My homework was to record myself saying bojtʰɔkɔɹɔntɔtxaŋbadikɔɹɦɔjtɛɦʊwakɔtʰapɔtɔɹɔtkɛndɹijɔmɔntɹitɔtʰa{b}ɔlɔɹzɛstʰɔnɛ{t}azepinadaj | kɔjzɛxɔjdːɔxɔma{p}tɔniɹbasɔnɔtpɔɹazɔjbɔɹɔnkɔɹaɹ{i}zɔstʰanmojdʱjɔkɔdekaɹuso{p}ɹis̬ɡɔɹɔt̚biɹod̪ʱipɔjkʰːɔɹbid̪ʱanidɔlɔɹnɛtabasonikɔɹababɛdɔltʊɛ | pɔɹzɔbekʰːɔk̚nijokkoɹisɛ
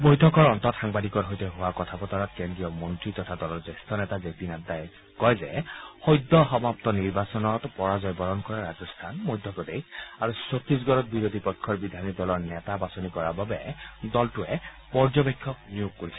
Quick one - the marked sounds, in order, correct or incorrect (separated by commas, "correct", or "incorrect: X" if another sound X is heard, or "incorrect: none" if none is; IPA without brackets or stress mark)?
incorrect: d, correct, correct, incorrect: a, incorrect: t